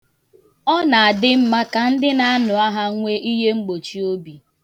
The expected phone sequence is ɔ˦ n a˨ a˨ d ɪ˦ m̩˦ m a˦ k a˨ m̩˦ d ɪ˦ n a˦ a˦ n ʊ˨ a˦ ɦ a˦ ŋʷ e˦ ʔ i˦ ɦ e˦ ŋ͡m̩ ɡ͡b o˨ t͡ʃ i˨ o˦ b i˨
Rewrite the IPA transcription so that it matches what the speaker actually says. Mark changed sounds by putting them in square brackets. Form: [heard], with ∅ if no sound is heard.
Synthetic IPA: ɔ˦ n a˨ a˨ d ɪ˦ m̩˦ m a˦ k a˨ [n̩˦] d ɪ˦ n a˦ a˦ n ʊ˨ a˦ ɦ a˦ ŋʷ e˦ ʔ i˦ ɦ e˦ ŋ͡m̩ ɡ͡b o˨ t͡ʃ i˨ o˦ b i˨